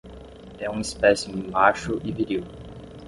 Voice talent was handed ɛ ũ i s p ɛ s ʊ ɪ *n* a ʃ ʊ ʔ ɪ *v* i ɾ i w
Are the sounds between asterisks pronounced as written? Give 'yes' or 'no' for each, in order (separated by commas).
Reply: no, yes